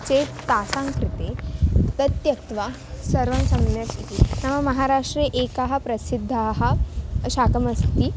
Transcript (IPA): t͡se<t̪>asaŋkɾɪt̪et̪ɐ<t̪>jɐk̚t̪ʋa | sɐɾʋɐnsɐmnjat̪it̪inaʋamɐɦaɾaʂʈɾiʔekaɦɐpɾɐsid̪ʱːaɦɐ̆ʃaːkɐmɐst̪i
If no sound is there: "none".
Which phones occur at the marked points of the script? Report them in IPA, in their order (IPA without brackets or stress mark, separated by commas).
t̪, t̪